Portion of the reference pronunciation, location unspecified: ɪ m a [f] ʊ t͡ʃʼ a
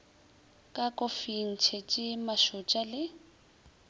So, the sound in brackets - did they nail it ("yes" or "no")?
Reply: no